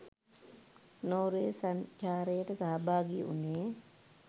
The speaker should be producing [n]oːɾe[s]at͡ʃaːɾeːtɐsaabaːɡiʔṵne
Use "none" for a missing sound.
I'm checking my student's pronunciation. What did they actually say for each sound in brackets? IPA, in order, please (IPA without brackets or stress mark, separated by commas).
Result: n, s